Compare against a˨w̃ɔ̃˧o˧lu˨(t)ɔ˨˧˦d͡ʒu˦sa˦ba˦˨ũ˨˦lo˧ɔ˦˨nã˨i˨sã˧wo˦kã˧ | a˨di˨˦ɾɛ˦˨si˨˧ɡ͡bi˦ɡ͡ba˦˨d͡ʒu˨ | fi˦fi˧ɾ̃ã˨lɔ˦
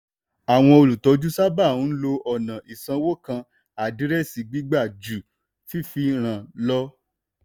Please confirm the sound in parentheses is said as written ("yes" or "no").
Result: yes